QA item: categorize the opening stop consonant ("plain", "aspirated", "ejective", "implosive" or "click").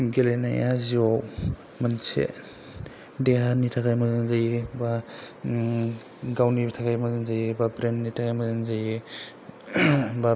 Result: plain